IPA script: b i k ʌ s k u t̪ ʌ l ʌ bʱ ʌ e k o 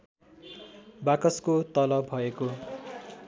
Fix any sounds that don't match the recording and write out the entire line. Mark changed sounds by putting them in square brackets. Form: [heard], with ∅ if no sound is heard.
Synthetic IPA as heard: b [a] k ʌ s k [o] t̪ ʌ l ʌ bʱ ʌ e k o